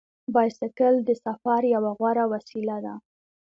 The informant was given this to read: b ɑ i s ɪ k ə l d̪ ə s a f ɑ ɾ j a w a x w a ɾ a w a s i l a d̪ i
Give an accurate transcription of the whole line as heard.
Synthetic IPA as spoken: b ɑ j s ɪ k ə l d̪ ə s a f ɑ ɾ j a w a ɣ w a ɾ a w a s i l a d̪ a